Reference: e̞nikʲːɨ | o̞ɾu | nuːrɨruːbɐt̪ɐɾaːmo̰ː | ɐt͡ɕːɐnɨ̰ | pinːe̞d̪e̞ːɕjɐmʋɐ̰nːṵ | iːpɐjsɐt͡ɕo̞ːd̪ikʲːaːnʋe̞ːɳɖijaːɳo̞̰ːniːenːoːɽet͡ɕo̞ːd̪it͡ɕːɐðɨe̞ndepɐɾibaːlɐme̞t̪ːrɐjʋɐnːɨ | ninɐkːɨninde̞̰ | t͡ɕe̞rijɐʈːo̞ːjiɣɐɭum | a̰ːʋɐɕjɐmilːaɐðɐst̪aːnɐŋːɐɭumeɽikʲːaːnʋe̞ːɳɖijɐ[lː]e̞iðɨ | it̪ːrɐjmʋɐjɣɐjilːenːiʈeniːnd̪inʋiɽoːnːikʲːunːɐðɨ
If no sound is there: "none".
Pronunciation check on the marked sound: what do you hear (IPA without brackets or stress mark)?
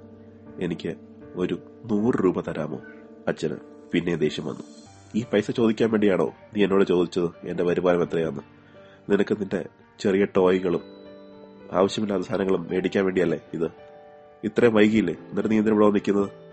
lː